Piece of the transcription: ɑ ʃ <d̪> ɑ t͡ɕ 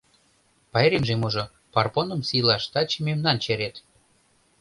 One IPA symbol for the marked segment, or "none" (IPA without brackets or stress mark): t̪